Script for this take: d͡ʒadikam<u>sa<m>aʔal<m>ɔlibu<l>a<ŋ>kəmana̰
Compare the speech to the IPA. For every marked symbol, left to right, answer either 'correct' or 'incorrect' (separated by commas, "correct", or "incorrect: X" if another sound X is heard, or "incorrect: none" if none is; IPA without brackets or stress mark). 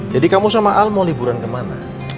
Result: correct, correct, correct, incorrect: ɾ, incorrect: n